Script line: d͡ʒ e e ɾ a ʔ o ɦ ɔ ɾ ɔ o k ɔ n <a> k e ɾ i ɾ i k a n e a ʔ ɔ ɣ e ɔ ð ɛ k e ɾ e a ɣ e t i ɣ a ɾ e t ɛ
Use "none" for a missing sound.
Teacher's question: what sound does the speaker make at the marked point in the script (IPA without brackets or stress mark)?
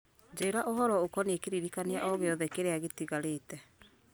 e